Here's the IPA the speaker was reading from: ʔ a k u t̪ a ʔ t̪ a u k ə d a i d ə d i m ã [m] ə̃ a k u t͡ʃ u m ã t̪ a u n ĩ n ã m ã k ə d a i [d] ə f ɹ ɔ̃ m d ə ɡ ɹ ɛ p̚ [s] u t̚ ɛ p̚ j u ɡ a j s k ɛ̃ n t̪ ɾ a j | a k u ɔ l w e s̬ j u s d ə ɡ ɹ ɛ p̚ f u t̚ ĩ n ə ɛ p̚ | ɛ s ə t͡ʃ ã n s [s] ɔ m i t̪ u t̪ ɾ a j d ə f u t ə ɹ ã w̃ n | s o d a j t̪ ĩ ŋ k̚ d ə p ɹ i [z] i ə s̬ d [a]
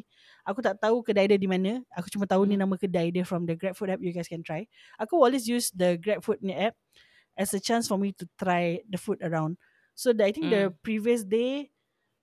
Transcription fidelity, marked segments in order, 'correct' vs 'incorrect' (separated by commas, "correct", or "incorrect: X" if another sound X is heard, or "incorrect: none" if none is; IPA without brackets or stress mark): incorrect: n, correct, incorrect: f, incorrect: f, incorrect: v, incorrect: e